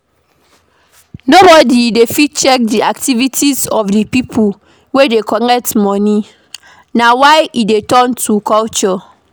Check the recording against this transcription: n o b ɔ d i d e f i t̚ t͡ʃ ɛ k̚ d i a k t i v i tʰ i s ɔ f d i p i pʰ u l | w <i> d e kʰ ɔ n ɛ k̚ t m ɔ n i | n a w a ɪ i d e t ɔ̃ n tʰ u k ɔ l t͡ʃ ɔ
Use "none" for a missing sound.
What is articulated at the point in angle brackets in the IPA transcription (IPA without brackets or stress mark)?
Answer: e